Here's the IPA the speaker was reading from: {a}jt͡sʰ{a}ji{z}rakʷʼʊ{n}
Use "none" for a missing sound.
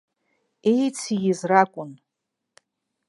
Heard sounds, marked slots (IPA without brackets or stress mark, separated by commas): e, i, z, n